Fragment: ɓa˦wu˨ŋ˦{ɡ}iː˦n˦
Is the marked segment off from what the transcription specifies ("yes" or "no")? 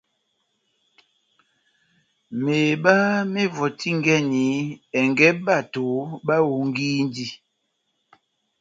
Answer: no